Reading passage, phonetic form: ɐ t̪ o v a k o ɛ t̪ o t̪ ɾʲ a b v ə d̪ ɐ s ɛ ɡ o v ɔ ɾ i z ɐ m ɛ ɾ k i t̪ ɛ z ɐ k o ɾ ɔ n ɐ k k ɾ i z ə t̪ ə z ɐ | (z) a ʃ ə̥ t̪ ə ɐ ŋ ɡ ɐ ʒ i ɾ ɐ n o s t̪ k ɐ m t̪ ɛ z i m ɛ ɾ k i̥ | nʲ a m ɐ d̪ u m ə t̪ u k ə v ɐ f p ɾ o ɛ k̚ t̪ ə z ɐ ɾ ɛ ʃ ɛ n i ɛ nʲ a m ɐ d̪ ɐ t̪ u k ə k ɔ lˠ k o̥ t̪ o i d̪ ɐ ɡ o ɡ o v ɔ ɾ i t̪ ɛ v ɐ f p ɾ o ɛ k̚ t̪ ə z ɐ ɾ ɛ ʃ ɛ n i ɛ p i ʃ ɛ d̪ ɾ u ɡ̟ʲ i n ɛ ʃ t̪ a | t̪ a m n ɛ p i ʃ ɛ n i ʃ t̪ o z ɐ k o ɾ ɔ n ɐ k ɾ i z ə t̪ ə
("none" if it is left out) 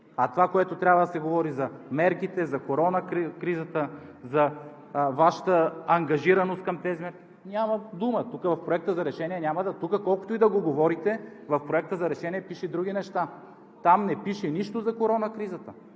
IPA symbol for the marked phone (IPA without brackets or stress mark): v